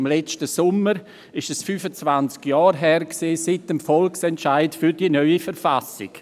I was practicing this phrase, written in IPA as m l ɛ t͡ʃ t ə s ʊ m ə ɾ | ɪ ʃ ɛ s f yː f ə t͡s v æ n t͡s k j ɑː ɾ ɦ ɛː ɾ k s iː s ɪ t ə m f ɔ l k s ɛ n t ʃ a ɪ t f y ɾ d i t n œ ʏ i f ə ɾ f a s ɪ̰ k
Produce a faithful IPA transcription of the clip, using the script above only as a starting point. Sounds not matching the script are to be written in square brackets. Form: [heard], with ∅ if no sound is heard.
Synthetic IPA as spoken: m l ɛ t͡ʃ t ə s ʊ m ə ɾ | ɪ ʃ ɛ s f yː f ə t͡s v [a] n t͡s k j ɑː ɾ ɦ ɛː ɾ k s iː s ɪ t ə m f ɔ l k s ɛ n t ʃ a ɪ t f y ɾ d i [∅] n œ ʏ i f ə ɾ f a s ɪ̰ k